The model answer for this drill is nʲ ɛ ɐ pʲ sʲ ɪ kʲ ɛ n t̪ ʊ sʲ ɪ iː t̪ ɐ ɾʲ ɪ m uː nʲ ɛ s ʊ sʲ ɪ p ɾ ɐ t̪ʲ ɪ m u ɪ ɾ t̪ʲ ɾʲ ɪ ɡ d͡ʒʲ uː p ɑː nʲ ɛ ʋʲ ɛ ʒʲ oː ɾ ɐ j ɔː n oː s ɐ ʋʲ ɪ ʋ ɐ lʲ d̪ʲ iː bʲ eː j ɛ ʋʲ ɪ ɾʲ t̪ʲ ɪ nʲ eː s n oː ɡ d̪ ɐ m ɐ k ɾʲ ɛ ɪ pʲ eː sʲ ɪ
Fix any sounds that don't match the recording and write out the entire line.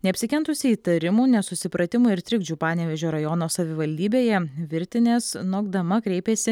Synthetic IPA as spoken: nʲ ɛ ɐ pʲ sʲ ɪ kʲ ɛ n t̪ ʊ sʲ ɪ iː t̪ ɐ ɾʲ ɪ m uː nʲ ɛ s ʊ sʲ ɪ p ɾ ɐ t̪ʲ ɪ m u ɪ ɾ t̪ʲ ɾʲ ɪ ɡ d͡ʒʲ uː p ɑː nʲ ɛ ʋʲ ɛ ʒʲ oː ɾ ɐ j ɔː n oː s ɐ ʋʲ ɪ ʋ ɐ lʲ d̪ʲ iː bʲ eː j ɛ ʋʲ ɪ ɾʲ t̪ʲ ɪ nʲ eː s n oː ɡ d̪ ɐ m ɐ k ɾʲ ɛ ɪ pʲ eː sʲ ɪ